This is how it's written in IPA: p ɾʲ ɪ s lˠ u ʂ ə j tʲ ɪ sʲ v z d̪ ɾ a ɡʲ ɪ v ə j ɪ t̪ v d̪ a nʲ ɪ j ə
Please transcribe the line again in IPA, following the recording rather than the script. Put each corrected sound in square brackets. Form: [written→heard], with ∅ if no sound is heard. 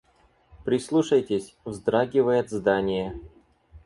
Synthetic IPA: p ɾʲ ɪ s lˠ u ʂ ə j tʲ ɪ sʲ v z d̪ ɾ a ɡʲ ɪ v ə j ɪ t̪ [v→z] d̪ a nʲ ɪ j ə

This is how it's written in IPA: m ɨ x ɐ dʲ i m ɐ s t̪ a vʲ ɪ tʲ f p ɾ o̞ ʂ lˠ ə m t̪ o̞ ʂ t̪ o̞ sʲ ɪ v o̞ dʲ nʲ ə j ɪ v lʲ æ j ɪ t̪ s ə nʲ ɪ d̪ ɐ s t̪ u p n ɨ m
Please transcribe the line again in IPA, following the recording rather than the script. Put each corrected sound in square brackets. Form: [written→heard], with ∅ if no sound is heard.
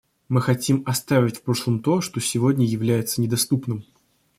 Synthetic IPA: m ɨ x ɐ [dʲ→tʲ] i m ɐ s t̪ a vʲ ɪ tʲ f p ɾ o̞ ʂ lˠ ə m t̪ o̞ ʂ t̪ o̞ sʲ ɪ v o̞ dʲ nʲ ə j ɪ v lʲ æ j ɪ t̪ s ə nʲ ɪ d̪ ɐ s t̪ u p n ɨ m

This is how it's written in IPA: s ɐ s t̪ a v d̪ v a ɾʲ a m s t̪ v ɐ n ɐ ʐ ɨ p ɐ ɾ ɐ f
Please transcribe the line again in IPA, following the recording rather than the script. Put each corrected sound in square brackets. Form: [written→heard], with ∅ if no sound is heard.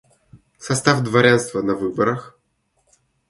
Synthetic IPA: s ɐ s t̪ a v d̪ v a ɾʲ a [m→n] s t̪ v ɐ n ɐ [ʐ→v] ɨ [p→b] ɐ ɾ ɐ [f→x]

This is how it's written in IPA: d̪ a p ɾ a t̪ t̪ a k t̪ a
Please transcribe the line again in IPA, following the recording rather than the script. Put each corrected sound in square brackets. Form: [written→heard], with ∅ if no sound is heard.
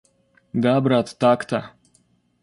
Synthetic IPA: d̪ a [p→b] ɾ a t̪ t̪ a k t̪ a

